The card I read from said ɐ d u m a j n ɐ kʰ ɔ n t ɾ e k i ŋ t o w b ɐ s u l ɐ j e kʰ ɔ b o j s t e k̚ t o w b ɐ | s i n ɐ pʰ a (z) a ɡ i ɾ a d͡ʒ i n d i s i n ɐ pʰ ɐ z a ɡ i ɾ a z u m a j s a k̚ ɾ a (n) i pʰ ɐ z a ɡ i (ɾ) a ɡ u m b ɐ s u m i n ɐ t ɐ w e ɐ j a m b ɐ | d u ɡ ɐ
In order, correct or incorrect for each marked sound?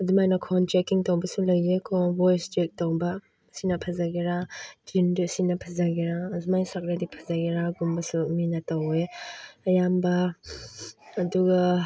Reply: correct, incorrect: d, correct

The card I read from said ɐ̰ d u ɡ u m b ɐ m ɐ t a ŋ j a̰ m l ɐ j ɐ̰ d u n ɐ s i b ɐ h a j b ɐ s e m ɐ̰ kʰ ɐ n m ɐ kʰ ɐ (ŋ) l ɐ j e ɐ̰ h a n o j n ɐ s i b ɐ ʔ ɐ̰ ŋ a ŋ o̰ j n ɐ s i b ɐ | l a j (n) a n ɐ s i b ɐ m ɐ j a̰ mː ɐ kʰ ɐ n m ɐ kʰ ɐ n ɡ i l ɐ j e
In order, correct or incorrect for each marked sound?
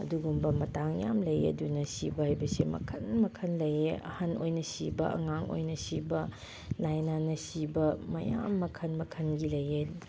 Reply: incorrect: n, correct

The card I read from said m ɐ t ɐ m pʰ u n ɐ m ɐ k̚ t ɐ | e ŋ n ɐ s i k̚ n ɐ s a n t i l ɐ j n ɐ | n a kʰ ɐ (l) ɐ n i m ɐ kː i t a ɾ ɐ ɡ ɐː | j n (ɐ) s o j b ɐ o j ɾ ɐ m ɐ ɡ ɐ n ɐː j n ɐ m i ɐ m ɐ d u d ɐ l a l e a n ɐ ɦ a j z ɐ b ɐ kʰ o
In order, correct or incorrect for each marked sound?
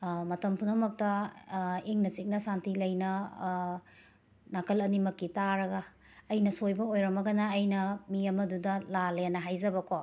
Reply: correct, correct

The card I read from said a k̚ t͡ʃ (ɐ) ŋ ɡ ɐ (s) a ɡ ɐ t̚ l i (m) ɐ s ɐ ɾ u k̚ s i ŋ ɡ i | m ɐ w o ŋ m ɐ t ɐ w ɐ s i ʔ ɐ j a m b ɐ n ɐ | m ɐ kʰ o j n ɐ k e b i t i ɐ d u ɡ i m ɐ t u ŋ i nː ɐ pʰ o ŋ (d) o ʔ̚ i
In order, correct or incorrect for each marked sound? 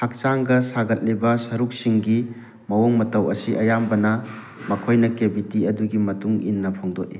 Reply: incorrect: a, correct, incorrect: b, correct

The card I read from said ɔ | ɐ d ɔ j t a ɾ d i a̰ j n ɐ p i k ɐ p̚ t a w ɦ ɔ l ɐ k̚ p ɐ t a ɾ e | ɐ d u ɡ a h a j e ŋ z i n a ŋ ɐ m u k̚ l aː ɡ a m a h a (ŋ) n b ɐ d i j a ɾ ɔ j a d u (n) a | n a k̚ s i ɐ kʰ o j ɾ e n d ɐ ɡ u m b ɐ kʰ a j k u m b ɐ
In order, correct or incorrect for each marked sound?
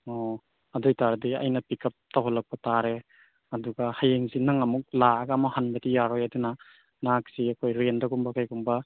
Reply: incorrect: none, correct

